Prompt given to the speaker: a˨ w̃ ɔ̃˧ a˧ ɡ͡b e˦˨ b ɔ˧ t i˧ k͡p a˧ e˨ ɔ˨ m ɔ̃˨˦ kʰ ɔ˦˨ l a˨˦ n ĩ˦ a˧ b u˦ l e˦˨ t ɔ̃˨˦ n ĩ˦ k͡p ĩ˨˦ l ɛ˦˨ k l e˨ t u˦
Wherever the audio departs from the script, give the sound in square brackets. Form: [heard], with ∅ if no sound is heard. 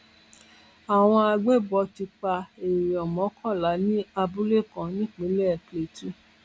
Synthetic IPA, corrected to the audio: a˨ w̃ ɔ̃˧ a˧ ɡ͡b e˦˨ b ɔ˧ t i˧ k͡p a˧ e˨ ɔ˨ m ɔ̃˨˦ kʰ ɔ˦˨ l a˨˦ n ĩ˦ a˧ b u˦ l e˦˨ [k] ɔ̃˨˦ n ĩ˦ k͡p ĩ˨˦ l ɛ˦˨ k l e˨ t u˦